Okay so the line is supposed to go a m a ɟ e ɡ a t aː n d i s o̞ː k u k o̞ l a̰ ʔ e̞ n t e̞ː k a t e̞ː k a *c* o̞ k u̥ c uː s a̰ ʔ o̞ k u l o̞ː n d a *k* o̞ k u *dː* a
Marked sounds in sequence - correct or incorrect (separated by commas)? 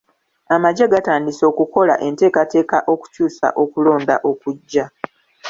incorrect, incorrect, incorrect